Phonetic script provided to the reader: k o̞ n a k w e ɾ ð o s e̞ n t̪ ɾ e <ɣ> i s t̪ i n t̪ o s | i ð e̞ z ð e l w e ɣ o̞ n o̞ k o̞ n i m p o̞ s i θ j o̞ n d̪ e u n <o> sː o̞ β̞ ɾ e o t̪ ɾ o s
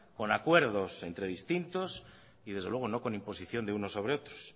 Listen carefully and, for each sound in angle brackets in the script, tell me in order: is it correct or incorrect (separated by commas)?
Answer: incorrect, correct